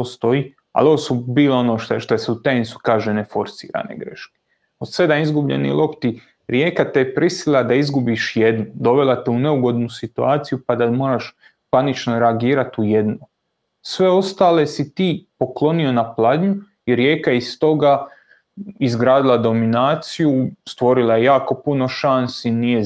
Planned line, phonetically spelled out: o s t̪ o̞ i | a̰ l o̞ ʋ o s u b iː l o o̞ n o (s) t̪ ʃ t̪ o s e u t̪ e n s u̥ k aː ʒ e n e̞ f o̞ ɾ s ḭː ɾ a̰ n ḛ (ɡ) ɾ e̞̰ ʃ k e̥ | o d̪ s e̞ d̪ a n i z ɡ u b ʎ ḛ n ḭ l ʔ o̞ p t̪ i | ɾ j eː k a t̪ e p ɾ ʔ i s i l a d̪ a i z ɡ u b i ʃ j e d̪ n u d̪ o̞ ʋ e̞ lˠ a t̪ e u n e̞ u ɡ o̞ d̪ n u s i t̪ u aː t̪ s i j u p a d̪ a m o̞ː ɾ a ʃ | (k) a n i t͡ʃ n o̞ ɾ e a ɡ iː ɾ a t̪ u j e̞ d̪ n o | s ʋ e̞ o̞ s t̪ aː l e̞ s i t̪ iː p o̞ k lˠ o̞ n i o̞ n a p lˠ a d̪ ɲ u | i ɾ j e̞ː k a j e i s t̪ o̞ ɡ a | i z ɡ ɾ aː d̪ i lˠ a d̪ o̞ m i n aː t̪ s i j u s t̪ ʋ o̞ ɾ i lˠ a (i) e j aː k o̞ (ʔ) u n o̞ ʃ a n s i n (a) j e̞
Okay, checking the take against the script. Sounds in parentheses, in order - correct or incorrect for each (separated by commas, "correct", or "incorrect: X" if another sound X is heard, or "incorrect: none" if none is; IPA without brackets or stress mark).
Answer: incorrect: ʃ, correct, incorrect: p, incorrect: j, incorrect: p, incorrect: i